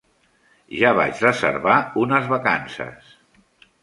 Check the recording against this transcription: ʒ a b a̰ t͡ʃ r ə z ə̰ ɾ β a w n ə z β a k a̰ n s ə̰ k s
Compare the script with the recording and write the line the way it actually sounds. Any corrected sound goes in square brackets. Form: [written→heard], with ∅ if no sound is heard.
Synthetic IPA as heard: ʒ a [b→β] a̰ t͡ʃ r ə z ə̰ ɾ β a [w→u] n ə z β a k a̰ n s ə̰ [k→∅] s

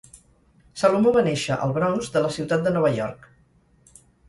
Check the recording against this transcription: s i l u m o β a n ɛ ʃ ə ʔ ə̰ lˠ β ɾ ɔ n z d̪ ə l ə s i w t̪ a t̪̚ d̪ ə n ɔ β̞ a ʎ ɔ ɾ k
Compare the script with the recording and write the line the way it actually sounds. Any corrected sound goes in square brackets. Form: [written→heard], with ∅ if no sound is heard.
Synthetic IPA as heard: s [i→a] l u m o β a n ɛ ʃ ə ʔ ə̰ lˠ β ɾ ɔ n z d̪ ə l ə s i w t̪ a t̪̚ d̪ ə n ɔ β̞ [a→ə] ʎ ɔ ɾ k

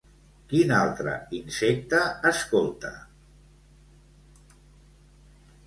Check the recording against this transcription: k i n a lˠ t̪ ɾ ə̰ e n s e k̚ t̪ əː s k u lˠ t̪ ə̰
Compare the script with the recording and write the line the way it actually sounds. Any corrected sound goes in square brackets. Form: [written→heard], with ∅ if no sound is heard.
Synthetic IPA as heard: k i n a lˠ t̪ ɾ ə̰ [e→i] n s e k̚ t̪ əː s k [u→o] lˠ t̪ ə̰

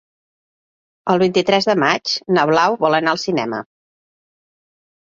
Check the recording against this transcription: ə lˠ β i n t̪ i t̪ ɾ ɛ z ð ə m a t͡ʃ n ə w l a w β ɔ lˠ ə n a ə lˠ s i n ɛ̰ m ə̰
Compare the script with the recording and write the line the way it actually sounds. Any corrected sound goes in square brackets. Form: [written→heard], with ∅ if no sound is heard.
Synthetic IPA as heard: ə lˠ β i n t̪ i t̪ ɾ ɛ z ð ə m a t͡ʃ n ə [w→β] l a w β ɔ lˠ ə n a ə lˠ s i n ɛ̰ m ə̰

